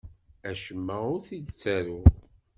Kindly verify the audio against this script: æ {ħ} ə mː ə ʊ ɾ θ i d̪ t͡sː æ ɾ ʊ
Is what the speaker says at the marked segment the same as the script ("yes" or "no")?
no